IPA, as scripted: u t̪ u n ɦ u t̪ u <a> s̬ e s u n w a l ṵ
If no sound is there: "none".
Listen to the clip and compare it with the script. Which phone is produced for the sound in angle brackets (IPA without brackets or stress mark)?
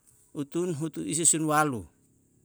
i